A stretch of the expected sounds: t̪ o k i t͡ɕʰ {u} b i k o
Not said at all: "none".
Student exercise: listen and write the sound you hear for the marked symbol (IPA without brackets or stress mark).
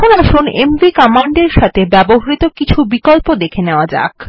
u